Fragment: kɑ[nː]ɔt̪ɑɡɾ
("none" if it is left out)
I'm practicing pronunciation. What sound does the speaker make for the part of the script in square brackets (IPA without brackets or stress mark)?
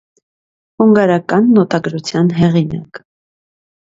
nː